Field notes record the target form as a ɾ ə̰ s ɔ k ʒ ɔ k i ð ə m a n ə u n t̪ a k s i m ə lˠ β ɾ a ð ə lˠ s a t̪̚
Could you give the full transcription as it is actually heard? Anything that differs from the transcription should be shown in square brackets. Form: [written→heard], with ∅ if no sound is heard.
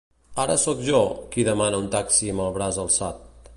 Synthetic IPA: a ɾ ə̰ s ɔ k ʒ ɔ k i ð ə m a n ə u n t̪ a k s i m ə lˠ β ɾ a [ð→z] ə lˠ s a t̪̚